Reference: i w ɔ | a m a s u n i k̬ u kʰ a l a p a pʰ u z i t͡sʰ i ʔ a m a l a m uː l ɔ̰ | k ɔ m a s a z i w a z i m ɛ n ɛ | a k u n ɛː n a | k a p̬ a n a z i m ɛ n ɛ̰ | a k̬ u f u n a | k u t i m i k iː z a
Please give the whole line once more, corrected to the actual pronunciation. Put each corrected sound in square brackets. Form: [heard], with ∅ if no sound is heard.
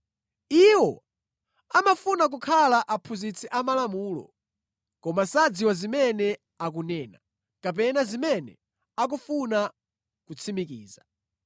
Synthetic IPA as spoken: i w ɔ | a m a [f] u n [a] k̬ u kʰ a l a [ʔ] a pʰ u z i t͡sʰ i ʔ a m a l a m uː l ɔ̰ | k ɔ m a s a [d͡z] i w a z i m ɛ n ɛ | a k u n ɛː n a | k a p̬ [ɛ] n a z i m ɛ n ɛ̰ | a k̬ u f u n a | k u [t͡sʰ] i m i k iː z a